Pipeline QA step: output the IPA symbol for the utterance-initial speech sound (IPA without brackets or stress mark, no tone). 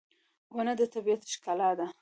w